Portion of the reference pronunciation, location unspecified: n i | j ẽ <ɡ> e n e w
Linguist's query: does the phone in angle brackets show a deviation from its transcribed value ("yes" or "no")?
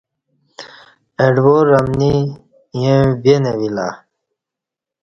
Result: yes